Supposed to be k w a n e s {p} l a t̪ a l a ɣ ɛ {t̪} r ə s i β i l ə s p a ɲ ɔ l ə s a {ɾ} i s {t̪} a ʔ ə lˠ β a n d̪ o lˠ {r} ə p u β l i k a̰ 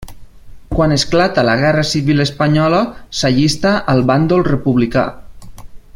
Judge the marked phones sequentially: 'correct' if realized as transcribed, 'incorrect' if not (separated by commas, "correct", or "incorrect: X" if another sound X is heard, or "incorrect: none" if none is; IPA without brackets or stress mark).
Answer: incorrect: k, incorrect: none, incorrect: ʎ, correct, correct